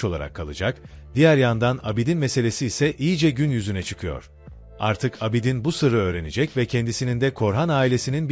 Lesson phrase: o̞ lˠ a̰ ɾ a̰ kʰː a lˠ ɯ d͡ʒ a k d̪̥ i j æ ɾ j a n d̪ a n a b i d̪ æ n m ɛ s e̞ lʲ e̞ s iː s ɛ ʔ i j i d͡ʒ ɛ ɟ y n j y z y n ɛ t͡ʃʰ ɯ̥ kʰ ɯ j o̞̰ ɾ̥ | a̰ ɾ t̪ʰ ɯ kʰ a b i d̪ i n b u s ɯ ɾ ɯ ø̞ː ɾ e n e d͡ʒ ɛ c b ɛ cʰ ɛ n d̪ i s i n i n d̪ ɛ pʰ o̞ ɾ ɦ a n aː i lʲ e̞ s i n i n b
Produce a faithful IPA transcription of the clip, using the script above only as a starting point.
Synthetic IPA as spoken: o̞ lˠ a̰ ɾ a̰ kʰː a lˠ ɯ d͡ʒ a k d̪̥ i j æ ɾ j a n d̪ a n a b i d̪ i n m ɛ s e̞ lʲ e̞ s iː s ɛ ʔ i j i d͡ʒ ɛ ɟ y n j y z y n ɛ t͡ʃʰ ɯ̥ kʰ ɯ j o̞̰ ɾ̥ | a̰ ɾ t̪ʰ ɯ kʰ a b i d̪ i n b u s ɯ ɾ ɯ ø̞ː ɾ e n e d͡ʒ ɛ c v ɛ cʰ ɛ n d̪ i s i n i n d̪ ɛ kʰ o̞ ɾ ɦ a n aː i lʲ e̞ s i n i n b